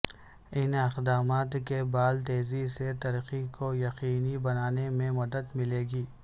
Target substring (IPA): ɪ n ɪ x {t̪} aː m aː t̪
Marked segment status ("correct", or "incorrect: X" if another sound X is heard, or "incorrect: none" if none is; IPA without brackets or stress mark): incorrect: d̪